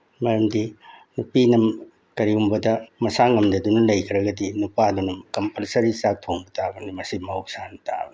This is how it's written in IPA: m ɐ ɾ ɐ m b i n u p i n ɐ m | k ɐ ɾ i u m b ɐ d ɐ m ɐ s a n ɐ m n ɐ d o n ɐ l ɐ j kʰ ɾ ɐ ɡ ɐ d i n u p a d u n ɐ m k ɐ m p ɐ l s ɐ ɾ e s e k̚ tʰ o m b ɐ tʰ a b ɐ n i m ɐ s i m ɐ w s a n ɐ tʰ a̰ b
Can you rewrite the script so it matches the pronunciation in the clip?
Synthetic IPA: m ɐ ɾ ɐ m d i n u p i n ɐ m | k ɐ ɾ i u m b ɐ d ɐ m ɐ s a ŋ ɐ m d ɐ d u n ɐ l ɐ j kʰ ɾ ɐ ɡ ɐ d i n u p a d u n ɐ m k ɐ m p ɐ l s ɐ ɾ i s a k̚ tʰ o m b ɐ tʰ a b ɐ n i m ɐ s i m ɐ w s a n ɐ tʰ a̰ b